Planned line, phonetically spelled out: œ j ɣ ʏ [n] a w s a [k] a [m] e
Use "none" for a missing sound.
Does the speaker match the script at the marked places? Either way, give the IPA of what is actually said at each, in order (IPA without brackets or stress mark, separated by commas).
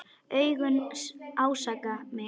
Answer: n, k, m